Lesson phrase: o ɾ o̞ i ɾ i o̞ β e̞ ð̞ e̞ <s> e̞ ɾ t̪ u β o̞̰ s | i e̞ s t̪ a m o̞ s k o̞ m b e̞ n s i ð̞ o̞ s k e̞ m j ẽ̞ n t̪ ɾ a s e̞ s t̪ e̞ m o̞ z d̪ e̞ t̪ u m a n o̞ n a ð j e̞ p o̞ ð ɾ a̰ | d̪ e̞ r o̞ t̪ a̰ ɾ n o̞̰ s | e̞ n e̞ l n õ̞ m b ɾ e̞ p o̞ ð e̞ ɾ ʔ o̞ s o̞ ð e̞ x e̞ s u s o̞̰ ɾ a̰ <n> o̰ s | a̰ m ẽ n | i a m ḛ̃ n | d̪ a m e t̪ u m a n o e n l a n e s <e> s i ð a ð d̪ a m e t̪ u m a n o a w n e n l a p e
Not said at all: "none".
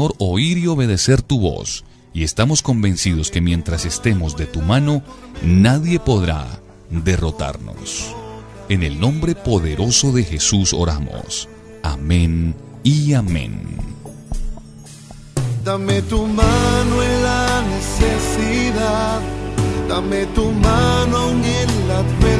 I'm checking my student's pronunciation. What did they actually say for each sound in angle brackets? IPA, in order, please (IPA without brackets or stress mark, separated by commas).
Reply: s, m, e